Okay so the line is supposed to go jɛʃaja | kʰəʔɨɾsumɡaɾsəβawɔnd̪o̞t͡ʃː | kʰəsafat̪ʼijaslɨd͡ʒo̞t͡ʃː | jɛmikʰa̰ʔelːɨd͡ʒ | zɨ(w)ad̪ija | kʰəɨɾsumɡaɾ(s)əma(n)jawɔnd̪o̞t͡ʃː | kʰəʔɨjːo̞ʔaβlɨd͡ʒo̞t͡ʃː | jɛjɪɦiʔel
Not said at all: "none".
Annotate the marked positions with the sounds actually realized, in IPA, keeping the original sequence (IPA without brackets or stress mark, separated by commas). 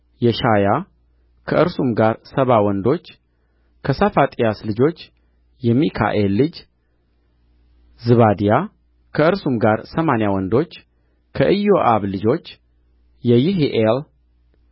β, s, n